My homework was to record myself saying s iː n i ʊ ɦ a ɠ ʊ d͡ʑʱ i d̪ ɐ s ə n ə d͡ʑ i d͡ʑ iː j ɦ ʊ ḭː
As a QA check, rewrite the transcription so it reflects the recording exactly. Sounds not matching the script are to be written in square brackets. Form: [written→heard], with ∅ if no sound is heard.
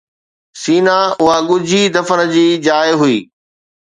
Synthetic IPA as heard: s iː n [i→a] ʊ ɦ a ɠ ʊ d͡ʑʱ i d̪ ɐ [s→f] ə n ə d͡ʑ [i→iː] d͡ʑ [iː→aː] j ɦ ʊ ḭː